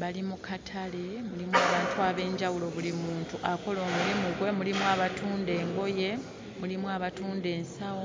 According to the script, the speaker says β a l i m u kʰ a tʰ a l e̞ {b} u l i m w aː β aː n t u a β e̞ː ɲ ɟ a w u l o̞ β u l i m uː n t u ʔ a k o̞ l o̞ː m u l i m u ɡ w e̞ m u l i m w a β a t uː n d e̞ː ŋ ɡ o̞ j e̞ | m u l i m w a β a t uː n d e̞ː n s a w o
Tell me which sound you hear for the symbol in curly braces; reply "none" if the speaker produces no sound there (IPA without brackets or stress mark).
m